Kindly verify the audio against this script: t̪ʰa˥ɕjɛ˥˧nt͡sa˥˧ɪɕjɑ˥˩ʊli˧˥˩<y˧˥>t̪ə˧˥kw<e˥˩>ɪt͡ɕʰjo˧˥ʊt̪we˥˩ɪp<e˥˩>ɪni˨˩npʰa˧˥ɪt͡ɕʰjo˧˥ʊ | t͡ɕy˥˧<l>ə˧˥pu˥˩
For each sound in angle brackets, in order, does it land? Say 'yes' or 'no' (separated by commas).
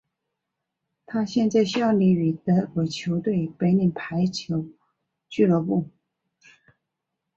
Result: no, no, no, yes